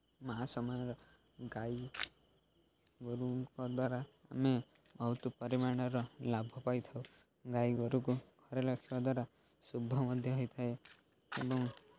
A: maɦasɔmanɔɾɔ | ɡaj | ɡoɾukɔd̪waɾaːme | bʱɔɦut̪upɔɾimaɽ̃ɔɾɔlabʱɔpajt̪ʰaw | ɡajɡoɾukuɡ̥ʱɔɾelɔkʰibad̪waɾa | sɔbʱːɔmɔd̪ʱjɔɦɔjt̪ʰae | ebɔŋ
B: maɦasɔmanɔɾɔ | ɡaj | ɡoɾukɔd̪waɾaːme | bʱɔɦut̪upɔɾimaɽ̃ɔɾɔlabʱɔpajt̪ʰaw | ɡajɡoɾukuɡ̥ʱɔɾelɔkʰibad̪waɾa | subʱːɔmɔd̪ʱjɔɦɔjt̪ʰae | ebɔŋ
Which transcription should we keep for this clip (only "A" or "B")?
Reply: B